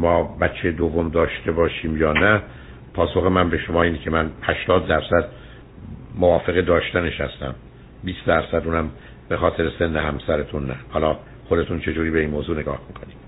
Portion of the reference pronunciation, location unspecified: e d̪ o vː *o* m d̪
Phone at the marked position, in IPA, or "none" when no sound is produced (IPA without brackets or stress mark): o